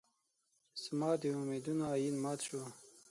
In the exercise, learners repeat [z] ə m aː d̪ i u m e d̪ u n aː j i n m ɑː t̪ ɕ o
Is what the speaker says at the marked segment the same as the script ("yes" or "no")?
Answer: no